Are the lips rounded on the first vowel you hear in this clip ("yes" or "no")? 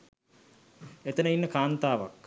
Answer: no